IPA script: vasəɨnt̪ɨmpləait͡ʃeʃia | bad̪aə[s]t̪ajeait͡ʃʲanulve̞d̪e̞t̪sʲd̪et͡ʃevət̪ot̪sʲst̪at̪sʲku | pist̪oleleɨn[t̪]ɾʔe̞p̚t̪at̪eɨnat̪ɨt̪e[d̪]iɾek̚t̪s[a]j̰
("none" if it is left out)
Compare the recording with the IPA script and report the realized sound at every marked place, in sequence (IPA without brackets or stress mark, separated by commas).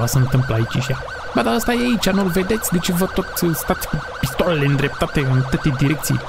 s, d̪, d̪, i